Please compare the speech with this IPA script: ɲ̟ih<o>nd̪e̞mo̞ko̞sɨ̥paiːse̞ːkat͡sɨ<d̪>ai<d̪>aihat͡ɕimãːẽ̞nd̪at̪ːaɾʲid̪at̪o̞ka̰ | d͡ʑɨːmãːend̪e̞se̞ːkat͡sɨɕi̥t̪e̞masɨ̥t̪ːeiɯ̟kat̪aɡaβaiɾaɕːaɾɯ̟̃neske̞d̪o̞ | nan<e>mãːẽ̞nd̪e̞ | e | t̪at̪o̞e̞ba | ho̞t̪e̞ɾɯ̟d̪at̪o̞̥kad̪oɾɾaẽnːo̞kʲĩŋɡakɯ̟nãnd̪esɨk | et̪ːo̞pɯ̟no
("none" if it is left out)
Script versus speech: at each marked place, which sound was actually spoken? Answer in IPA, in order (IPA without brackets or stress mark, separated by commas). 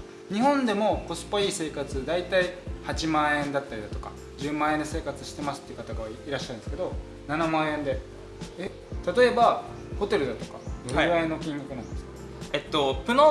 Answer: õ, d̪, t̪, a